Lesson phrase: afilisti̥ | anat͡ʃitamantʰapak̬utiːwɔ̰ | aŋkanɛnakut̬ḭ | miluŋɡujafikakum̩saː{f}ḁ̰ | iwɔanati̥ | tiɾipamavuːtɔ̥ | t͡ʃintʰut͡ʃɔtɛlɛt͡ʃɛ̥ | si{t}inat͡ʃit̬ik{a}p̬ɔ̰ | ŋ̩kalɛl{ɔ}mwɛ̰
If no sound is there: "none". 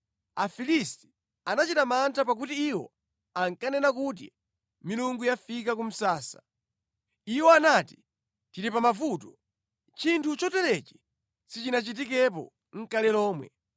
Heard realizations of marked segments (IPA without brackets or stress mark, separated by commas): s, t͡ʃ, ɛ, ɔː